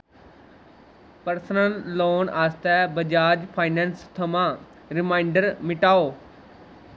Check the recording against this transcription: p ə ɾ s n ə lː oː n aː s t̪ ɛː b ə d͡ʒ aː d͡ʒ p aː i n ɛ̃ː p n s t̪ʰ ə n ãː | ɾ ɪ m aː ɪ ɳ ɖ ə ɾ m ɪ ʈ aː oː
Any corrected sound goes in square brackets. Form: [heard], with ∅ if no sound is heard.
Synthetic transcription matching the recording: p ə ɾ s n ə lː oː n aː s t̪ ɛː b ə d͡ʒ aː d͡ʒ [pʰ] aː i n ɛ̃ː [∅] n s t̪ʰ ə [m] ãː | ɾ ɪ m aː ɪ ɳ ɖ ə ɾ m ɪ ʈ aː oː

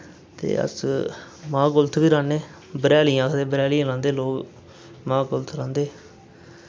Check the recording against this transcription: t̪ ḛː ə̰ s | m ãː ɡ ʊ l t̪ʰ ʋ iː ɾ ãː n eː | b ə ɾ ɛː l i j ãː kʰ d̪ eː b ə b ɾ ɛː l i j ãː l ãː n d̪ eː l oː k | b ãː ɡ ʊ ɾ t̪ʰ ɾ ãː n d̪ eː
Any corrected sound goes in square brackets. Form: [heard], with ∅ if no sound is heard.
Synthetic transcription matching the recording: t̪ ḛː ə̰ s | m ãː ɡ ʊ l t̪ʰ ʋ iː ɾ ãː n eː | b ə ɾ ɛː l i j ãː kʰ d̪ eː b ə [∅] ɾ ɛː l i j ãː l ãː n d̪ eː l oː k | [m] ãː ɡ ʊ [l] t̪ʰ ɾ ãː n d̪ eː

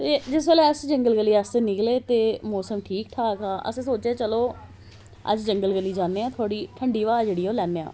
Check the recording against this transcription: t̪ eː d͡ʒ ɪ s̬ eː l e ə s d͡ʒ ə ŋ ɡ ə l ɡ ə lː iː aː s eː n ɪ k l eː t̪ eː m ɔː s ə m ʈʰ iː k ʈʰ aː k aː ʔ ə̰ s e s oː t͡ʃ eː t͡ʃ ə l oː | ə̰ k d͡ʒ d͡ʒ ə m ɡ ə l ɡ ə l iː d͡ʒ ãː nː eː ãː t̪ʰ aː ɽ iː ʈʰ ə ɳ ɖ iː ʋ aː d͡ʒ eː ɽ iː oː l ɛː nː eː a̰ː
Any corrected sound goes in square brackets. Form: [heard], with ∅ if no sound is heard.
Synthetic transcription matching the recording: t̪ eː d͡ʒ ɪ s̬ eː l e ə s d͡ʒ ə ŋ ɡ ə l ɡ ə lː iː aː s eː n ɪ k l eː t̪ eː m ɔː s ə m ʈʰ iː k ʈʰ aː k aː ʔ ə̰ s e s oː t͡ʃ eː t͡ʃ ə l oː | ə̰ [∅] d͡ʒ d͡ʒ ə [ŋ] ɡ ə l ɡ ə l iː d͡ʒ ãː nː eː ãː t̪ʰ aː ɽ iː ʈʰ ə ɳ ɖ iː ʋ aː d͡ʒ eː ɽ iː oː l ɛː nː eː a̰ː

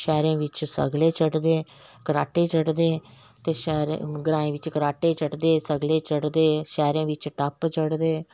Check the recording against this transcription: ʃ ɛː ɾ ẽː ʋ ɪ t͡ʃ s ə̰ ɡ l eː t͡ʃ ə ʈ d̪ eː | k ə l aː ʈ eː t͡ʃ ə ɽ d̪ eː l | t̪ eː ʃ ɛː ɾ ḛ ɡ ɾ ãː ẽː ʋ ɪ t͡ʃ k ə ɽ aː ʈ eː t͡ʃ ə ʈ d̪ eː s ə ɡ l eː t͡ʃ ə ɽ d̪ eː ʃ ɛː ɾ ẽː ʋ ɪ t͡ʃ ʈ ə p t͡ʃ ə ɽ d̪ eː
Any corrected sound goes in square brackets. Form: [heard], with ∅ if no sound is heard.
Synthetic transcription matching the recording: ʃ ɛː ɾ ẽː ʋ ɪ t͡ʃ s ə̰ ɡ l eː t͡ʃ ə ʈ d̪ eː | k ə [ɾ] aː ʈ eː t͡ʃ ə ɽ d̪ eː [∅] | t̪ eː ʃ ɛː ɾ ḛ ɡ ɾ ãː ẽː ʋ ɪ t͡ʃ k ə [ɾ] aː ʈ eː t͡ʃ ə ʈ d̪ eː s ə ɡ l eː t͡ʃ ə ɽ d̪ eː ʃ ɛː ɾ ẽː ʋ ɪ t͡ʃ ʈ ə p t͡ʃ ə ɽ d̪ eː

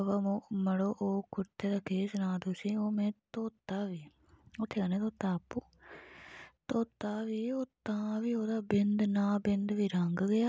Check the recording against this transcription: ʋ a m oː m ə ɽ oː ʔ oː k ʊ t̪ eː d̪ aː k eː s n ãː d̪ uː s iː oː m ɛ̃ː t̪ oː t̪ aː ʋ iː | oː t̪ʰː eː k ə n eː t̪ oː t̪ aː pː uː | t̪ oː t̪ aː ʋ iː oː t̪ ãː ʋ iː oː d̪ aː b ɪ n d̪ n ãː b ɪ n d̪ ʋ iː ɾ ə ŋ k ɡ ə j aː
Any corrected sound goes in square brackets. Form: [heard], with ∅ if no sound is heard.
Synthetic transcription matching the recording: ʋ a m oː m ə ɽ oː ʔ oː k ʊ t̪ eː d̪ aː k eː s n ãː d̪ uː s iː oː m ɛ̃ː t̪ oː t̪ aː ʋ iː | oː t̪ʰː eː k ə n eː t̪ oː t̪ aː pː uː | t̪ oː t̪ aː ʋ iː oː t̪ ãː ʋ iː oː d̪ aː b ɪ n d̪ n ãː b ɪ n d̪ ʋ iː ɾ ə ŋ [ɡ] ɡ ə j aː

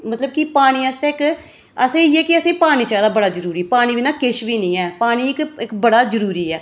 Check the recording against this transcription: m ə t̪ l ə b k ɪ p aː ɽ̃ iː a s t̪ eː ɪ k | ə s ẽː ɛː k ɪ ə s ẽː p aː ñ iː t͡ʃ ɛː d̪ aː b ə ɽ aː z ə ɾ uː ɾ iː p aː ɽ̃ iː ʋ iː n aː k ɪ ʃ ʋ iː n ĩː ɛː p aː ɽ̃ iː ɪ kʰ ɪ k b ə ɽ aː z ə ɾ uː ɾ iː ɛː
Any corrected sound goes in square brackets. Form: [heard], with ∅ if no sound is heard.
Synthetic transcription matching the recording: m ə t̪ l ə b k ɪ p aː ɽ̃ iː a s t̪ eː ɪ k | ə s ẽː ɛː k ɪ ə s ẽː p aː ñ iː t͡ʃ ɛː d̪ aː b ə ɽ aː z ə ɾ uː ɾ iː p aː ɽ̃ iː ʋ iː n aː k ɪ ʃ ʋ iː n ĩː ɛː p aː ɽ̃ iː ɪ [k] ɪ k b ə ɽ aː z ə ɾ uː ɾ iː ɛː

